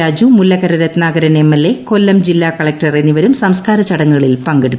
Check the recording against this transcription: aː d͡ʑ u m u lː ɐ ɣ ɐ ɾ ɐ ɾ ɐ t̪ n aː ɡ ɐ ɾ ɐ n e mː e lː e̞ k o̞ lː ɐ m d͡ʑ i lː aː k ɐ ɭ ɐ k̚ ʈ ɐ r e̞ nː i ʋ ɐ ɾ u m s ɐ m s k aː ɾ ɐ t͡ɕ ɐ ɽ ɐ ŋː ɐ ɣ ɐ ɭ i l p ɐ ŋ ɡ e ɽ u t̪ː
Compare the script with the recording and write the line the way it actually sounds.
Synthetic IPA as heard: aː d͡ʑ u m u lː ɐ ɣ ɐ ɾ ɐ ɾ ɐ t̪ n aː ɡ ɐ ɾ ɐ n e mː e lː e̞ k o̞ lː ɐ m d͡ʑ i lː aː k ɐ ɭ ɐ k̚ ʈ ɐ r e̞ nː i ʋ ɐ ɾ u m s ɐ m s k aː ɾ ɐ t͡ɕ ɐ ɽ ɐ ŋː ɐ ɣ ɐ ɭ i l p ɐ ŋ ɡ e ɽ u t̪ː